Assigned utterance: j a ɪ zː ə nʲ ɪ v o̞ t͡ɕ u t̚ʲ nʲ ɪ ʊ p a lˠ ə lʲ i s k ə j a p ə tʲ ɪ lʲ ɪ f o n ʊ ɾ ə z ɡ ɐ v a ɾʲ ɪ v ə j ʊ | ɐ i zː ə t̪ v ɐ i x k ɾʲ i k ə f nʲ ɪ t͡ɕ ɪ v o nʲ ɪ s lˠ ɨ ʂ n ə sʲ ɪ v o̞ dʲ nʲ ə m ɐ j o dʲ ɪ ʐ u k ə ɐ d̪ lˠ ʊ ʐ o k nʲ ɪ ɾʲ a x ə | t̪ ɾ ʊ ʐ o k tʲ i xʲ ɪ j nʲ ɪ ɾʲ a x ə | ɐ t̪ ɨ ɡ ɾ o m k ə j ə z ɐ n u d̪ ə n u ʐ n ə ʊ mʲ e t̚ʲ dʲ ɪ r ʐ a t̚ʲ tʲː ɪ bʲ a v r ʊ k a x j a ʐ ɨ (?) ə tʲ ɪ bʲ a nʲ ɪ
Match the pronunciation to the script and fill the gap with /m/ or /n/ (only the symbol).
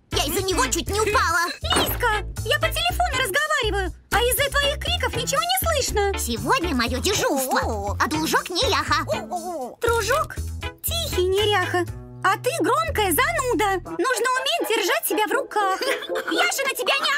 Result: n